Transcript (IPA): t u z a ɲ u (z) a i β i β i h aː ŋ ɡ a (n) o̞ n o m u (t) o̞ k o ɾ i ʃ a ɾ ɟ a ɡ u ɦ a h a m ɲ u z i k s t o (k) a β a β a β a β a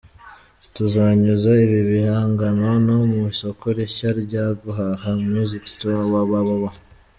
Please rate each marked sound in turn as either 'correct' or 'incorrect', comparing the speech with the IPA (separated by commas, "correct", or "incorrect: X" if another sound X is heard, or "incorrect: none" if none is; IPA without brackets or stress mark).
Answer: correct, correct, incorrect: s, incorrect: none